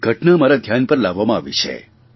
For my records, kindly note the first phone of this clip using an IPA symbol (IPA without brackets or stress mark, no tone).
ɡʱ